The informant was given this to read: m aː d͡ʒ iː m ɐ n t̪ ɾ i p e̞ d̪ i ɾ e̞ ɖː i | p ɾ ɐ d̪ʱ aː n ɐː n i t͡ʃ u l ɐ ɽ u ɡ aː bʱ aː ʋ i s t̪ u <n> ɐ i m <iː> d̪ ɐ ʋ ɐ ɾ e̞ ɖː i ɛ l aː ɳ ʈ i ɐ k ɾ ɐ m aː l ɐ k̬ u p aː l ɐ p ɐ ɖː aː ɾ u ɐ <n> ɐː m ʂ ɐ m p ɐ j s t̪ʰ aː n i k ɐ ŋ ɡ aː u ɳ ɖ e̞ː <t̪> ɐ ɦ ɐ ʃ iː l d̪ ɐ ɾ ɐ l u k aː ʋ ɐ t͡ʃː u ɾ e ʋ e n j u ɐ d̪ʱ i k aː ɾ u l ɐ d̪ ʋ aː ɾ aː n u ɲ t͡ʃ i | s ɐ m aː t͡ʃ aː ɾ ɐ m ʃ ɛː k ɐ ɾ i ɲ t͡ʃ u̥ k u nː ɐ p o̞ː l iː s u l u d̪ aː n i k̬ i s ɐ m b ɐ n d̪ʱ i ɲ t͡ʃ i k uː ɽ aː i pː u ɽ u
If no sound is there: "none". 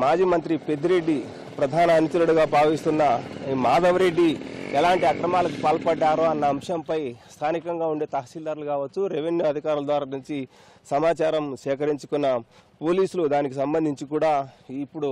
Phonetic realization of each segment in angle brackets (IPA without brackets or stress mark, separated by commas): nː, aː, nː, t̪